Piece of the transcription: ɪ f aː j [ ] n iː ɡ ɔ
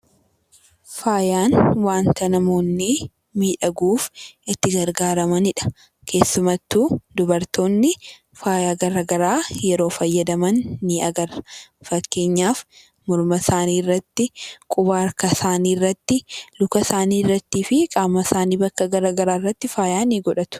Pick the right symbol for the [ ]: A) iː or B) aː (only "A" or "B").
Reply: B